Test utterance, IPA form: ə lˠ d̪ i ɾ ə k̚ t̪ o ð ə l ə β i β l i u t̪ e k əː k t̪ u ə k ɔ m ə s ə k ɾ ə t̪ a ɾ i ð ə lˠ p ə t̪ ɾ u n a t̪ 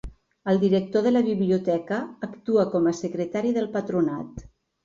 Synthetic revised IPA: ə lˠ d̪ i ɾ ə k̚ t̪ o ð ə l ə β i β l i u t̪ ɛ k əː k t̪ u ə k ɔ m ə s ə k ɾ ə t̪ a ɾ i ð ə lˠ p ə t̪ ɾ u n a t̪